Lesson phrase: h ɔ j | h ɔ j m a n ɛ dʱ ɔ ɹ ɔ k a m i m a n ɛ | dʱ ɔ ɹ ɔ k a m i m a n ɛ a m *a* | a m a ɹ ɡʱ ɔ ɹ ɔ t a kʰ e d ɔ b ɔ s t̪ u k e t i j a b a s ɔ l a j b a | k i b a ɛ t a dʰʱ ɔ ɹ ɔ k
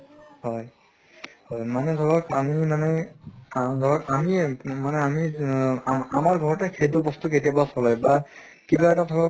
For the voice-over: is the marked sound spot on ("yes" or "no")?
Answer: no